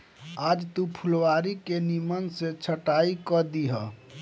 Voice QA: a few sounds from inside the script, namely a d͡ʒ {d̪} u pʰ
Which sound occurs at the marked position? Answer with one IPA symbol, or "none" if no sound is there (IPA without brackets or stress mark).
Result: t̪